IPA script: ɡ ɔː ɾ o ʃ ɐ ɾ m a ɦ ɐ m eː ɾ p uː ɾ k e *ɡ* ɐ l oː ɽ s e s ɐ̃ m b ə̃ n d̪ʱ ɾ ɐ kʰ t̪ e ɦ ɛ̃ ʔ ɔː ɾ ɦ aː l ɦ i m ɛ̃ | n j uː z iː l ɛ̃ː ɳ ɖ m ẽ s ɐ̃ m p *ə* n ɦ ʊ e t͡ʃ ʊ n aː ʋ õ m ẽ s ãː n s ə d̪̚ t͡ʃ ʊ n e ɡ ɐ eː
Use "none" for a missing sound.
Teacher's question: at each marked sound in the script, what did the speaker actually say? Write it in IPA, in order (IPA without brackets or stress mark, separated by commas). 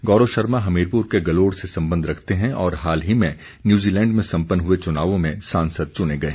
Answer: ɡ, ə